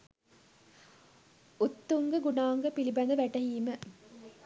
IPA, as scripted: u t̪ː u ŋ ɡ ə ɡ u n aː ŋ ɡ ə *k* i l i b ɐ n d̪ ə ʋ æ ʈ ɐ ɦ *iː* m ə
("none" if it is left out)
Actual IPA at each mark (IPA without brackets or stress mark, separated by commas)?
p, iː